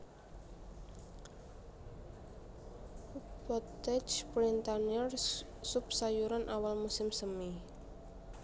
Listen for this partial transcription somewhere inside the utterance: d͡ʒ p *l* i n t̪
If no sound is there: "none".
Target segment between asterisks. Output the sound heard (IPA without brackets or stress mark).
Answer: ɾ